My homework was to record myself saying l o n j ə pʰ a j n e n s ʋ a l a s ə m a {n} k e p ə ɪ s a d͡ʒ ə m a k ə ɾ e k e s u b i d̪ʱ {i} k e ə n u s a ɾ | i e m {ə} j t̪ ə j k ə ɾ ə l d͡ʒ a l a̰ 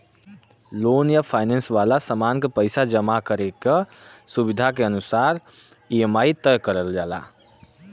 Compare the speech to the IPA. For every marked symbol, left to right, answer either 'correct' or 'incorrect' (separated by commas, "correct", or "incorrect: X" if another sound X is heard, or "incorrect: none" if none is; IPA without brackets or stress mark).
correct, incorrect: a, incorrect: a